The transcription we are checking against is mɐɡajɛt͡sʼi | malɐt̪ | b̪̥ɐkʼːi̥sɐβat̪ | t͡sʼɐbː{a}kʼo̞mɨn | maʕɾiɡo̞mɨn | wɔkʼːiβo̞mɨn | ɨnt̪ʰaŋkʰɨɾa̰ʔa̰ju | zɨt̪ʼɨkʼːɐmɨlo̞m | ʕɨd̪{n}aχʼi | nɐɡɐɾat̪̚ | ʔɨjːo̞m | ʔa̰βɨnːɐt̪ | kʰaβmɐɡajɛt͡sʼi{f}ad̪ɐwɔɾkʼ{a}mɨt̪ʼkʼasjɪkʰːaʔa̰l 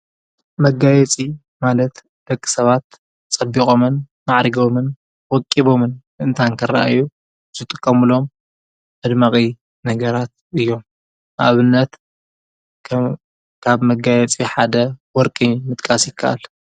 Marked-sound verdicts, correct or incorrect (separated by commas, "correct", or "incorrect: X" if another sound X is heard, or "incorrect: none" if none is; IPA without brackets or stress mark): incorrect: i, incorrect: m, incorrect: ħ, incorrect: i